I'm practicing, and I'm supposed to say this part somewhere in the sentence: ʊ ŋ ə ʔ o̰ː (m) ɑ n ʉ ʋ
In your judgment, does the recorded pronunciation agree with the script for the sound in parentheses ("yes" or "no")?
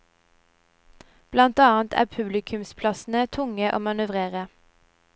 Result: yes